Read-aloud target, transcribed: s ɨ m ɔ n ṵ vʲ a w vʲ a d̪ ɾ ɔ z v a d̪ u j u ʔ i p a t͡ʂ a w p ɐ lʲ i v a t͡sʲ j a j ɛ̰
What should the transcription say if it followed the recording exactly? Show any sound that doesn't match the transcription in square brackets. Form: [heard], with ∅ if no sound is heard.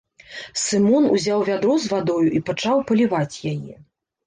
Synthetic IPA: s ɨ m ɔ n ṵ [zʲ] a w vʲ a d̪ ɾ ɔ z v a d̪ [ɔ] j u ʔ i p a t͡ʂ a w p ɐ lʲ i v a t͡sʲ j a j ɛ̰